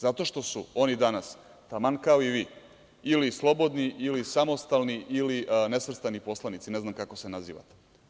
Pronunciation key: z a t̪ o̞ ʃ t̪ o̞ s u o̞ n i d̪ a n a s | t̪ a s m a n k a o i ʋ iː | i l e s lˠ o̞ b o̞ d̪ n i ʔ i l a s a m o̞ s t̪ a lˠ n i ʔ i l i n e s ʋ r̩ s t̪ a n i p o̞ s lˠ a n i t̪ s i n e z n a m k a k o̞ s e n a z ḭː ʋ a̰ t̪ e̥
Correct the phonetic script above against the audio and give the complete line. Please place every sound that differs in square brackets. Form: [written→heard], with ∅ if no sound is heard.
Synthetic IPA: z a t̪ o̞ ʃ t̪ o̞ s u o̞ n i d̪ a n a s | t̪ a [s→∅] m a n k a o i ʋ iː | i l [e→i] s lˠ o̞ b o̞ d̪ n i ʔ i l [a→i] s a m o̞ s t̪ a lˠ n i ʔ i l i n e s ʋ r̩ s t̪ a n i p o̞ s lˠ a n i t̪ s i n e z n a m k a k o̞ s e n a z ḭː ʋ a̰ t̪ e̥